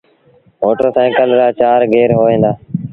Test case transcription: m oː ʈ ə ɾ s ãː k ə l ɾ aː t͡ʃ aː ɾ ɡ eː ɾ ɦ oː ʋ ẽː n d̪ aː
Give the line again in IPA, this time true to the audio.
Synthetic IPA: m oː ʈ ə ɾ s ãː k ə l ɾ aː t͡ʃ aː ɾ ɡ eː ɾ ɦ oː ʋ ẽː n d̪ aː

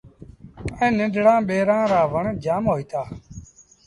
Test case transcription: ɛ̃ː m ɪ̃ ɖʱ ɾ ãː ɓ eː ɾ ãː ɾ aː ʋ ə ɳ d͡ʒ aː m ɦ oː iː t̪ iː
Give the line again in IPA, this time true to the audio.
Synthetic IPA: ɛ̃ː n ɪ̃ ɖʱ ɽ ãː ɓ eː ɾ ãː ɾ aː ʋ ə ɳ d͡ʒ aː m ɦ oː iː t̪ aː

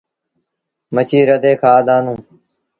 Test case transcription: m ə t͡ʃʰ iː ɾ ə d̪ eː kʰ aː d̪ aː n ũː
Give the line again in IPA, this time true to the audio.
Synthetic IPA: m ə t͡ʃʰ iː ɾ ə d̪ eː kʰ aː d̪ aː n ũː

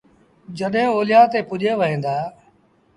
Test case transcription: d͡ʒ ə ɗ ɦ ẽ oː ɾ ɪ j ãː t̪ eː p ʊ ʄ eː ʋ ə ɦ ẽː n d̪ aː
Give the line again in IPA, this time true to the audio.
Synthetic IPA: d͡ʒ ə ɗ ɦ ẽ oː l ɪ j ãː t̪ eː p ʊ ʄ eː ʋ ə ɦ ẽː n d̪ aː

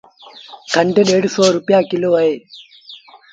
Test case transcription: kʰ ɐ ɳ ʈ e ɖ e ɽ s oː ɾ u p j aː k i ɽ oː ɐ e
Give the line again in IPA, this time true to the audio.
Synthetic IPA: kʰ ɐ ɳ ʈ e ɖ e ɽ s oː ɾ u p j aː k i l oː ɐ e

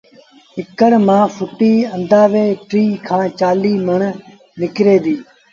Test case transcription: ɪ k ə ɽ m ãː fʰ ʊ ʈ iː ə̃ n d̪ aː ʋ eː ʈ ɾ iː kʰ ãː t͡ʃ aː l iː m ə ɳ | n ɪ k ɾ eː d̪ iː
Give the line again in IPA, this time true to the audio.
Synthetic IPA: ɪ k ə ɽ m ãː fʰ ʊ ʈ iː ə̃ n d̪ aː ʋ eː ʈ ɾ iː kʰ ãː t͡ʃ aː l iː m ə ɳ | n ɪ k ɾ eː d̪ iː

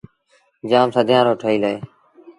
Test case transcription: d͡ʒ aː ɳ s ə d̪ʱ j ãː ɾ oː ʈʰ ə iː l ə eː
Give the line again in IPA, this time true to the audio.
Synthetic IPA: d͡ʒ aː m s ə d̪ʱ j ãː ɾ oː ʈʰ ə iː l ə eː

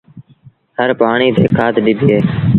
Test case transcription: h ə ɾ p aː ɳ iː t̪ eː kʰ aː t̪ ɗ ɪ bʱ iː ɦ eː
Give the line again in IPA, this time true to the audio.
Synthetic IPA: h ə ɾ p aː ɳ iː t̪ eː kʰ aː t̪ ɗ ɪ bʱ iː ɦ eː

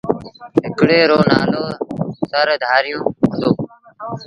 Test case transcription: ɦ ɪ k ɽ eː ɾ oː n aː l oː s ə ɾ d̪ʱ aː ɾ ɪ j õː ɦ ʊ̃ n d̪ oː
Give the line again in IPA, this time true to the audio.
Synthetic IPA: ɦ ɪ k ɽ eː ɾ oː n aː l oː s ə ɾ d̪ʱ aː ɾ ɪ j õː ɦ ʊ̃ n d̪ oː

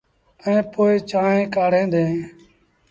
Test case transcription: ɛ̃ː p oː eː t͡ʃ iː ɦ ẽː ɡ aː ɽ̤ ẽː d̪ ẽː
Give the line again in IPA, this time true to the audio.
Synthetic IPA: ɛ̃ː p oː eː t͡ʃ aː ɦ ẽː k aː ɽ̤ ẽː d̪ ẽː

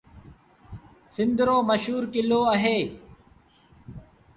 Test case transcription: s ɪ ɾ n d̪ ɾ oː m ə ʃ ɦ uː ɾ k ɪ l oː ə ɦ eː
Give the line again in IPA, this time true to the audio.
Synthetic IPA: s ɪ n d̪ ɾ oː m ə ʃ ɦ uː ɾ k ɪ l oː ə ɦ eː

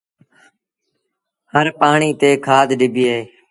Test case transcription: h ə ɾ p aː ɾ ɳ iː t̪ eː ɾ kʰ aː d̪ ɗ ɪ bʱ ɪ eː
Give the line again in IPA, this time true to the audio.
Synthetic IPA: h ə ɾ p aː ɳ iː t̪ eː kʰ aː d̪ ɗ ɪ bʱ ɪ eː

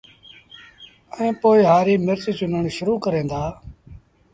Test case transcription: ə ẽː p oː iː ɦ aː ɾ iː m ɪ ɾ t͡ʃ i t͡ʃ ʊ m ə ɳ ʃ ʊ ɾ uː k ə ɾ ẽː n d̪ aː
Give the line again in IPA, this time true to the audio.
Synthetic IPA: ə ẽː p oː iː ɦ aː ɾ iː m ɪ ɾ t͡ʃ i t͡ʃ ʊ n ə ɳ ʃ ʊ ɾ uː k ə ɾ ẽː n d̪ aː

